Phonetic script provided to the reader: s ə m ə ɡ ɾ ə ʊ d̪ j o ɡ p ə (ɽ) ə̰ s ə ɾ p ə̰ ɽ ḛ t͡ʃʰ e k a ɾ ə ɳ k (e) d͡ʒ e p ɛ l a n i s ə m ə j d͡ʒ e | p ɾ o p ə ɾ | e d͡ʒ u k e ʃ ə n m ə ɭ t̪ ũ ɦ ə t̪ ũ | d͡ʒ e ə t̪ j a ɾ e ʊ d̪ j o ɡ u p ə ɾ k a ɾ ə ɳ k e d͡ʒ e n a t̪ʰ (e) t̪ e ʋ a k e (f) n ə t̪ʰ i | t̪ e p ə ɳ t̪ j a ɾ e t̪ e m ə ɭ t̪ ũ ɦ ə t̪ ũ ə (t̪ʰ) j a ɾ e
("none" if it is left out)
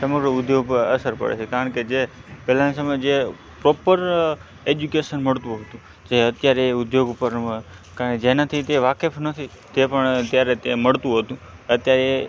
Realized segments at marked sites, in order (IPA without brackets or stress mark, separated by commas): ɾ, e, i, f, t̪